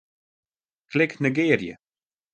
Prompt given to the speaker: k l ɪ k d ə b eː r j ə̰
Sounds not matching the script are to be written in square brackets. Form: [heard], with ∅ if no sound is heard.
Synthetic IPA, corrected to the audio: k l ɪ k [n] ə [ɡ] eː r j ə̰